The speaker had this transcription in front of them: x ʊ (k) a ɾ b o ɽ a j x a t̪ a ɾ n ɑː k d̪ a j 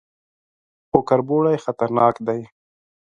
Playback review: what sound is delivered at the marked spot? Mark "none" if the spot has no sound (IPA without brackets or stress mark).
k